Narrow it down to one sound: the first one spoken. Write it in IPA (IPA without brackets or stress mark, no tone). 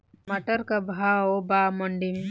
m